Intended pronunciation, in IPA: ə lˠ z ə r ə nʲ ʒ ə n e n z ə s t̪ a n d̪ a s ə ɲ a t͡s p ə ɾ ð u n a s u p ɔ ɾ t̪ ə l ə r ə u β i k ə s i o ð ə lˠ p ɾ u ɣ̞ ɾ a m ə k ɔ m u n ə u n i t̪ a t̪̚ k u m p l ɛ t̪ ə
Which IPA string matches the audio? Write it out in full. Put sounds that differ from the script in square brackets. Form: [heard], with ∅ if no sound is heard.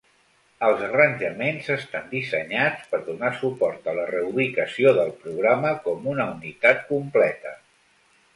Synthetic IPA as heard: ə lˠ z ə r ə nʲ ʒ ə [m] e n z ə s t̪ a n d̪ [i] s ə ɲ a t͡s p ə ɾ ð u n a s u p ɔ ɾ t̪ ə l ə r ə u β i k ə s i o ð ə lˠ p ɾ u ɣ̞ ɾ a m ə k ɔ m u n ə u n i t̪ a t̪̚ k u m p l ɛ t̪ ə